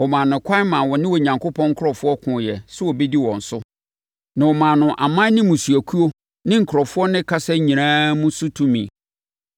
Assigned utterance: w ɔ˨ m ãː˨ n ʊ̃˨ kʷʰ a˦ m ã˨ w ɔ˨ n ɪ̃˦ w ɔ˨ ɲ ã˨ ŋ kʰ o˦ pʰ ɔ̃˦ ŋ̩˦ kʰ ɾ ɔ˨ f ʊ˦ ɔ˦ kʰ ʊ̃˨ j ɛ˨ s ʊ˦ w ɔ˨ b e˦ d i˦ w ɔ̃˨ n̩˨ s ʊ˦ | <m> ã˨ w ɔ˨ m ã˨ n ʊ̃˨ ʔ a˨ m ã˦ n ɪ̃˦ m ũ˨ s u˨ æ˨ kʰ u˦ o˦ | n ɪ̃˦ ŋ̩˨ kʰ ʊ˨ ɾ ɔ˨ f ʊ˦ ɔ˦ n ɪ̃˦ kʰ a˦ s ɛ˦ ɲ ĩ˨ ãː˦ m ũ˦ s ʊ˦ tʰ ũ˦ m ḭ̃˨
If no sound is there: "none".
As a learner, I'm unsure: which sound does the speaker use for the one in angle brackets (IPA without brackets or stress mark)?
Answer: n